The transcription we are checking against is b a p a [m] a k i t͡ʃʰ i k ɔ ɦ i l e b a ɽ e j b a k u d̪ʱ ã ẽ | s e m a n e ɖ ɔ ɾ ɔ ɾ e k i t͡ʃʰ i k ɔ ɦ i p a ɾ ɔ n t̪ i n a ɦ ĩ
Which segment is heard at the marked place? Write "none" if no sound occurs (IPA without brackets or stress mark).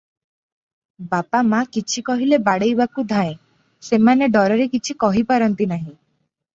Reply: m